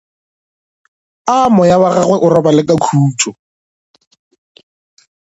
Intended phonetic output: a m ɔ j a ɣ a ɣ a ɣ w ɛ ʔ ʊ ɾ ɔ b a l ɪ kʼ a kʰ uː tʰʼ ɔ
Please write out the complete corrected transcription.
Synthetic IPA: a m ɔ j a w a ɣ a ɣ w ɛ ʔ ʊ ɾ ɔ b a l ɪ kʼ a kʰ uː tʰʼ ɔ